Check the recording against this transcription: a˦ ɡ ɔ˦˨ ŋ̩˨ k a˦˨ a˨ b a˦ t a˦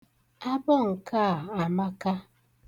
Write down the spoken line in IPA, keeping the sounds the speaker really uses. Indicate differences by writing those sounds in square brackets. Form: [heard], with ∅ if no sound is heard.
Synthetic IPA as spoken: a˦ [b] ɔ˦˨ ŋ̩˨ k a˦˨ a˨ [m] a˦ [k] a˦